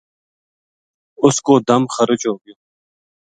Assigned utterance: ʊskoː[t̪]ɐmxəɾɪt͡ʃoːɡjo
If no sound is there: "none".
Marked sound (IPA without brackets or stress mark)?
d̪